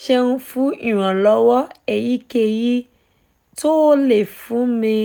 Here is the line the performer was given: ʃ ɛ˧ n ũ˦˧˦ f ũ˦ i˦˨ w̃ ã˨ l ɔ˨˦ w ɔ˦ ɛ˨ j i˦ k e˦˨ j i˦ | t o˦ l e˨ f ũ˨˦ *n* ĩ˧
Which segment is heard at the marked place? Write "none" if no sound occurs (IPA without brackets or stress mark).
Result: m